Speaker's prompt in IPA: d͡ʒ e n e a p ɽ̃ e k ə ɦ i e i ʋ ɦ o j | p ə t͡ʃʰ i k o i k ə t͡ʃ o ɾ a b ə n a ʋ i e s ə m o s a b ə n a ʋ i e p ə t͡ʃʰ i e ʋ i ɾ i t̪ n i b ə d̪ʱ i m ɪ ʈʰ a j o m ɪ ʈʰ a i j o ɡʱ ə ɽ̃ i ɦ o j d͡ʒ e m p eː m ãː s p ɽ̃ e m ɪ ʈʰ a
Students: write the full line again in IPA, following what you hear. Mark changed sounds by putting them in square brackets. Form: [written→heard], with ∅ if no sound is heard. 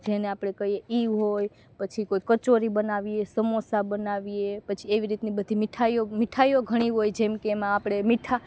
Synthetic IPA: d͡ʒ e n e a p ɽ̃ e k ə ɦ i e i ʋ ɦ o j | p ə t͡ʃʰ i k o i k ə t͡ʃ o ɾ [a→i] b ə n a ʋ i e s ə m o s a b ə n a ʋ i e p ə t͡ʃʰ i e ʋ i ɾ i t̪ n i b ə d̪ʱ i m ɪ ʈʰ a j o m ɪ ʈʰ a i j o ɡʱ ə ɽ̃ i ɦ o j d͡ʒ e m [p→k] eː m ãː [s→∅] p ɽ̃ e m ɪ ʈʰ a

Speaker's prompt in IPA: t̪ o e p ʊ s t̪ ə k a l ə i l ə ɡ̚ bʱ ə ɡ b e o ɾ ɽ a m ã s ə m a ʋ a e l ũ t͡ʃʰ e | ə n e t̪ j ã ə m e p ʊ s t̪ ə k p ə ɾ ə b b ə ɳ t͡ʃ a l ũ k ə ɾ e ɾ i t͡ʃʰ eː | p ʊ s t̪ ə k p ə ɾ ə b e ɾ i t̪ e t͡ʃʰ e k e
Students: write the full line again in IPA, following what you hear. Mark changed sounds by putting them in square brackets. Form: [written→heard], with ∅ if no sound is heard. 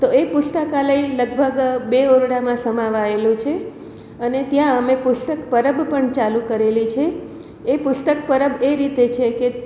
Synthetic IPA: t̪ o e p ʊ s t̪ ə k a l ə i l ə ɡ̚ bʱ ə ɡ b e o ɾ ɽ a m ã s ə m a ʋ a e l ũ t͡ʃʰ e | ə n e t̪ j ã ə m e p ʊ s t̪ ə k p ə ɾ ə b [b→p] ə ɳ t͡ʃ a l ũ k ə ɾ e [ɾ→l] i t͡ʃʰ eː | p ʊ s t̪ ə k p ə ɾ ə b e ɾ i t̪ e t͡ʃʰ e k e

